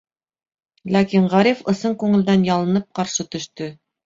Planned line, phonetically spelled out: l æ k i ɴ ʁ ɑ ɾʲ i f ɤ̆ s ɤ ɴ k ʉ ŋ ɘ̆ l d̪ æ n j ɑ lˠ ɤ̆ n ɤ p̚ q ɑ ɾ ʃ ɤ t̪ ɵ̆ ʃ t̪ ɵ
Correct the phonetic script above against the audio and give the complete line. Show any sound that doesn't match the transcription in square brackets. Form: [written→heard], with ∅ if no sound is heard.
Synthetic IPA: l æ k i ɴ ʁ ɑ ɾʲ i f ɤ̆ s ɤ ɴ k ʉ ŋ ɘ̆ l d̪ æ n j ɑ lˠ ɤ̆ n ɤ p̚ q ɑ ɾ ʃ ɤ t̪ ɵ̆ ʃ t̪ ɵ